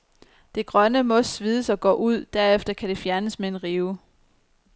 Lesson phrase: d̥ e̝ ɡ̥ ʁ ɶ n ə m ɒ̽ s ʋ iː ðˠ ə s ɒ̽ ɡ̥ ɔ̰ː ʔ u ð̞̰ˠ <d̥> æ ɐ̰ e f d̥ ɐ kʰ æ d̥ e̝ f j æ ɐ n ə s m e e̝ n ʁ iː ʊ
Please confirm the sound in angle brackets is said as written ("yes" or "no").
yes